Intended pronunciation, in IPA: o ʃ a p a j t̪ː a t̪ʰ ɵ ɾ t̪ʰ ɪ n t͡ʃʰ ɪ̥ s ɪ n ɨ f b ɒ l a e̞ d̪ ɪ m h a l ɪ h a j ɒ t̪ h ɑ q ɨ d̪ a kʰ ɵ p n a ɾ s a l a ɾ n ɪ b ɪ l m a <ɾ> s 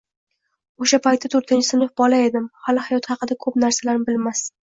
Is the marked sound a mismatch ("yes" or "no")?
yes